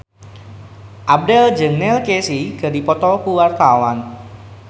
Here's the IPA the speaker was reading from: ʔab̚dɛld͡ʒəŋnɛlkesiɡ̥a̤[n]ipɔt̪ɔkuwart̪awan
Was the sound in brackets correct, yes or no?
no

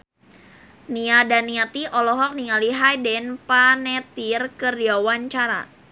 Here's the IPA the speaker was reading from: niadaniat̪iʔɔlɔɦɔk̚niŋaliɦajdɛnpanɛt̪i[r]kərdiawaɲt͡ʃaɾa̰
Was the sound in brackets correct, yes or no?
yes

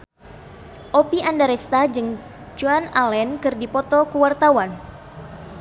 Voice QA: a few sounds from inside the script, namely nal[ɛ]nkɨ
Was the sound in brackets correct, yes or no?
yes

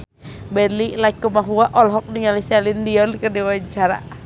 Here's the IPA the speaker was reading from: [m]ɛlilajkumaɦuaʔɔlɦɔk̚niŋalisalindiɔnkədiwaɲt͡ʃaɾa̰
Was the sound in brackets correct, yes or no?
no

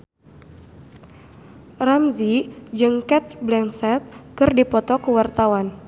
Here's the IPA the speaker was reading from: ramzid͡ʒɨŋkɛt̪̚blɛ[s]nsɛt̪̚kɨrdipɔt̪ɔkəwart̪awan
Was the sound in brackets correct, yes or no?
no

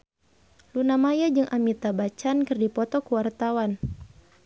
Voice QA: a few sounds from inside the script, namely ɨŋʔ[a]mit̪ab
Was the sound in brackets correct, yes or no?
yes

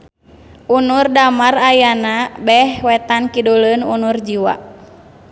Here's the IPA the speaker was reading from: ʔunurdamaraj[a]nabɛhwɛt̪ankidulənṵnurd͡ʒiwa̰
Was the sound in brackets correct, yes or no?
yes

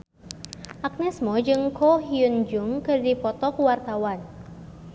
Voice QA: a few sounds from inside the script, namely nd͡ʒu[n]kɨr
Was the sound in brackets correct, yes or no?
no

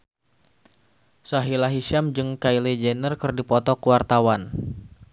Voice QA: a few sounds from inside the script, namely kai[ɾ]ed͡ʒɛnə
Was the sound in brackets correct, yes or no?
no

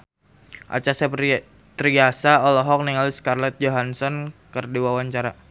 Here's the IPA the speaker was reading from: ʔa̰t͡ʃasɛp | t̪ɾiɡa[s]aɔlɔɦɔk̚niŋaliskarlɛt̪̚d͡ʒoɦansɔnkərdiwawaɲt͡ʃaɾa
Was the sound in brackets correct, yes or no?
yes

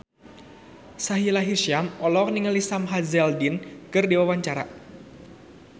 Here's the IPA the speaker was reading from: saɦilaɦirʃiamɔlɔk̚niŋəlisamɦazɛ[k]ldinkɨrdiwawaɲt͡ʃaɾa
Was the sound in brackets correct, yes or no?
no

